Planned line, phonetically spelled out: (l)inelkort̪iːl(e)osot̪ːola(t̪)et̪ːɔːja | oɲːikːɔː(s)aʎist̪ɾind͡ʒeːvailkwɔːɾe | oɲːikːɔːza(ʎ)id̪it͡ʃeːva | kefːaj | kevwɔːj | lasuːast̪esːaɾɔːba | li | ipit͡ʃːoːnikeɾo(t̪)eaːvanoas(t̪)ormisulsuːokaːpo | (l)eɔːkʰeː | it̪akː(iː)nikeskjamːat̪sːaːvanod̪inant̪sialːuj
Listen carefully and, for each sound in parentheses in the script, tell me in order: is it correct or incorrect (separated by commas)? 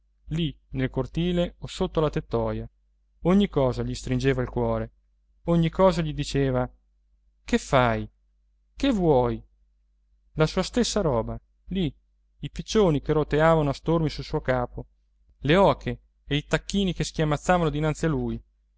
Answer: correct, correct, correct, incorrect, correct, correct, correct, correct, correct